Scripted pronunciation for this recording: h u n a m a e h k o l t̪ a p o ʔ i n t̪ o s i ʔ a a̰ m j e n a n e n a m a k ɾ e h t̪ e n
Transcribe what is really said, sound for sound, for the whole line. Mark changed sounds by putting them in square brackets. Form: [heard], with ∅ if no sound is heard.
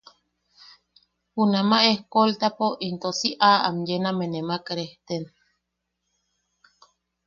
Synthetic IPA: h u n a m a e h k o l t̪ a p o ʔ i n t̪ o s i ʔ a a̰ m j e n a [m] e n [e] m a k ɾ e h t̪ e n